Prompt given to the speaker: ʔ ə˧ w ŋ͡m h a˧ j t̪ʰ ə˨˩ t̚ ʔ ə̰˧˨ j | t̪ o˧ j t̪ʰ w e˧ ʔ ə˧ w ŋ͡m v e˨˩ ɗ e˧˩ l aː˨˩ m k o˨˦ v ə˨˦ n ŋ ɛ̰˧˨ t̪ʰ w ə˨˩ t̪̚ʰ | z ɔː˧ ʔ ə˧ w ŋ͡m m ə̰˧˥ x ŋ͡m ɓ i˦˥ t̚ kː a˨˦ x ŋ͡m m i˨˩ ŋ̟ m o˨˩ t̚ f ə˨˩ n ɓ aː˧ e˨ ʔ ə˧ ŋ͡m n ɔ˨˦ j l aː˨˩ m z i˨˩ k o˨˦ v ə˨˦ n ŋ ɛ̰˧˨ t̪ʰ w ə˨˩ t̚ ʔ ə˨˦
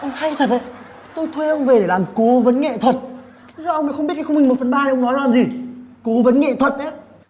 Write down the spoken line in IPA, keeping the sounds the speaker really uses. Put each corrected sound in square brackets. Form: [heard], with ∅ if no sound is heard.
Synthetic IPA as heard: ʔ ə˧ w ŋ͡m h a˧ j t̪ʰ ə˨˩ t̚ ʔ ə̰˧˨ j | t̪ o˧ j t̪ʰ w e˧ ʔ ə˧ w ŋ͡m v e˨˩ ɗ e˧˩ l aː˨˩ m k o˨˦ v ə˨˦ n ŋ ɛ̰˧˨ t̪ʰ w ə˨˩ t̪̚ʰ | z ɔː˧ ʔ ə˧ w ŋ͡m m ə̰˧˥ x ŋ͡m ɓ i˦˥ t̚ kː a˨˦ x ŋ͡m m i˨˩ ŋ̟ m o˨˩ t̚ f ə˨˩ n ɓ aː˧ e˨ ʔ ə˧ ŋ͡m n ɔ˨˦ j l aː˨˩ m z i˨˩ k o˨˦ v ə˨˦ n ŋ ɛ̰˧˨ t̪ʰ w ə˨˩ t̚ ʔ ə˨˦